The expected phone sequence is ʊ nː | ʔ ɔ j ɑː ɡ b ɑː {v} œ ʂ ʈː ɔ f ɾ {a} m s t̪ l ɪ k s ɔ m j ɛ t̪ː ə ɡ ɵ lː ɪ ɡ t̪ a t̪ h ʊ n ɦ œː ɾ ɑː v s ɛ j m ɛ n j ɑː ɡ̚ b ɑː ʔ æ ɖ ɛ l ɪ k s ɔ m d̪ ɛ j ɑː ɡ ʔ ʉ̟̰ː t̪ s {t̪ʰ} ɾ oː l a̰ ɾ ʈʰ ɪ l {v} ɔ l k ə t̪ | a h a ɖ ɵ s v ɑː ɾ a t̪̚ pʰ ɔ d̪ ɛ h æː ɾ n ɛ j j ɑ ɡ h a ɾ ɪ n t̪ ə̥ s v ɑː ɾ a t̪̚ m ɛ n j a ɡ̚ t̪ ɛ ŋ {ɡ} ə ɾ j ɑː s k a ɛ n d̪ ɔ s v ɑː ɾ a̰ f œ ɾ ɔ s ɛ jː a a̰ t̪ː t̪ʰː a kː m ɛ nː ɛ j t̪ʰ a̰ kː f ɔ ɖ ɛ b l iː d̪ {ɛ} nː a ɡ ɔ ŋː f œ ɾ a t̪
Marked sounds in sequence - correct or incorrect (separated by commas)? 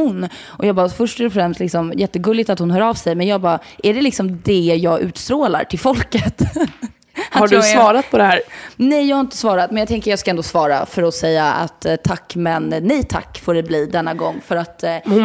incorrect, incorrect, incorrect, incorrect, incorrect, correct